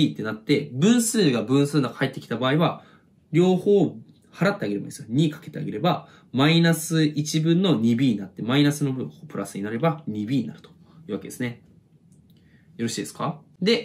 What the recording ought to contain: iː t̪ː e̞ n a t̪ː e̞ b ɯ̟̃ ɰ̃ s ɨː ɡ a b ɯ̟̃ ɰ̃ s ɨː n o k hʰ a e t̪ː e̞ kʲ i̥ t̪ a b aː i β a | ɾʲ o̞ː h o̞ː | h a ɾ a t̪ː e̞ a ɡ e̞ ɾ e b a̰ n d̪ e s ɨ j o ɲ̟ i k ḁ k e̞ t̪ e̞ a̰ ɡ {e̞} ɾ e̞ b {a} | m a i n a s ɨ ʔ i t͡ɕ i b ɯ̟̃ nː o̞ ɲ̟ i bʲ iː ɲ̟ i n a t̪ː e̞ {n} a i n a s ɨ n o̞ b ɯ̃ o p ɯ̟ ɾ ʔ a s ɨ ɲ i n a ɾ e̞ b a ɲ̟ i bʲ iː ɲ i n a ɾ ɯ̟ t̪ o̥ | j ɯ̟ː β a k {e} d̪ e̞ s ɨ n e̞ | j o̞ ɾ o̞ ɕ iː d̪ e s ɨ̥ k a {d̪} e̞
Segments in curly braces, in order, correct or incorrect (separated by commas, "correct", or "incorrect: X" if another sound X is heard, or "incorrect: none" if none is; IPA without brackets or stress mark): correct, correct, incorrect: m, correct, correct